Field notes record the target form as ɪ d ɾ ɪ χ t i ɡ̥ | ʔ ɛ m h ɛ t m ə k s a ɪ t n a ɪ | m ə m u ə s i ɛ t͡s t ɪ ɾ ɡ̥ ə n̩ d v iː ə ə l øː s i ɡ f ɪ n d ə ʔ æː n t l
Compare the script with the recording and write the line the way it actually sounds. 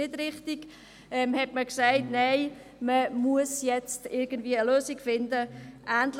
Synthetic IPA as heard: ɪ d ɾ ɪ χ t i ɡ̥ | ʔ ɛ m h ɛ t m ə k s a ɪ t n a ɪ | m ə m u ə s j ɛ t͡s t ɪ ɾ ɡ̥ ə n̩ d v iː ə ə l øː s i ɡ f ɪ n d ə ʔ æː n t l